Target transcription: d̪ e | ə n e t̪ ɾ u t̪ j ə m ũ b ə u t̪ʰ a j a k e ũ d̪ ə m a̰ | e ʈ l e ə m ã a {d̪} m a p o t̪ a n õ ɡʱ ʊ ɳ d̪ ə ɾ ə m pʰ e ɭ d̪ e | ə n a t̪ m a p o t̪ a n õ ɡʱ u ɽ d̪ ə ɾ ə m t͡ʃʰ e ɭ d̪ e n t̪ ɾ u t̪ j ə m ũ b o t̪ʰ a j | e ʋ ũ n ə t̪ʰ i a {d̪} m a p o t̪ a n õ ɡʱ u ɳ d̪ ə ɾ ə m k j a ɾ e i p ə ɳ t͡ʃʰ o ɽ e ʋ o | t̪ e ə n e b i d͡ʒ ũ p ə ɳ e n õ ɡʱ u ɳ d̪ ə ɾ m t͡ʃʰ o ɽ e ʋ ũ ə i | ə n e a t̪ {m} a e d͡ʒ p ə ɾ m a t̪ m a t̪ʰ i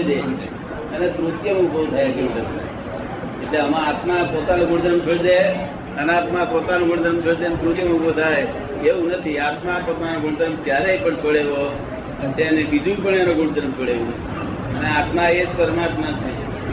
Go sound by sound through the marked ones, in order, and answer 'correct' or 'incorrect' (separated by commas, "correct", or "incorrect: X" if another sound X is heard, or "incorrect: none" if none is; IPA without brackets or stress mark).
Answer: incorrect: t̪, incorrect: t̪, correct